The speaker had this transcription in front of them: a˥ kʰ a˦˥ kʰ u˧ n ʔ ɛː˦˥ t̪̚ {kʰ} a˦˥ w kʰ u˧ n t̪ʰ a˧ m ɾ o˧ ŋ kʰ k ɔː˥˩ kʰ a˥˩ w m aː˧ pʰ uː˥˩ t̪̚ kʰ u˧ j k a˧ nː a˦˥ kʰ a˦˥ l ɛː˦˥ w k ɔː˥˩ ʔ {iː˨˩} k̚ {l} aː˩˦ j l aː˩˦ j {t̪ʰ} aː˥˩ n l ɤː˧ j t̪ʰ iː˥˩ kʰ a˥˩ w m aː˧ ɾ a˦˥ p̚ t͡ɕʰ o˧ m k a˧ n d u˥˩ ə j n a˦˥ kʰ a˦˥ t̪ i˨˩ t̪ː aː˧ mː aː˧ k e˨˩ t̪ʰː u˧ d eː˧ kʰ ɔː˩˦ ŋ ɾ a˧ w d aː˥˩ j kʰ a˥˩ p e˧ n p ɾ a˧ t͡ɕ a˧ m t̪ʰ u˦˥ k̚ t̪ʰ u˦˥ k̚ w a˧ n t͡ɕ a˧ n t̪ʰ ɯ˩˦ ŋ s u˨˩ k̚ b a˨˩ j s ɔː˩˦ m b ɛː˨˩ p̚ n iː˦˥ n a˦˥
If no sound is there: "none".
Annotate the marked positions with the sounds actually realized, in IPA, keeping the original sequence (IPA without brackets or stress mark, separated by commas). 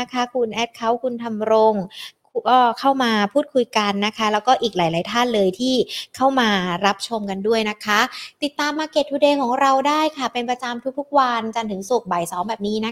kʰ, iː˨˩, l, t̪ʰ